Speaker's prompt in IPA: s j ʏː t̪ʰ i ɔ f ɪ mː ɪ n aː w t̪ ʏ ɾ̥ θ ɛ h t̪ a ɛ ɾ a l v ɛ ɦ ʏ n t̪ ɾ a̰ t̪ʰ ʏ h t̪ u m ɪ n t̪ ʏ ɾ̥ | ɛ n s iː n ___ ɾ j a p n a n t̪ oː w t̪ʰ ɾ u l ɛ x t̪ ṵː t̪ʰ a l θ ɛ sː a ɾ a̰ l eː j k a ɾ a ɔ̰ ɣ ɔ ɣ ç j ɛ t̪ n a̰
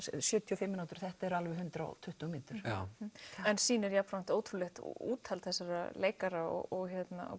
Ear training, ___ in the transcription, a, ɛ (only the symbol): ɛ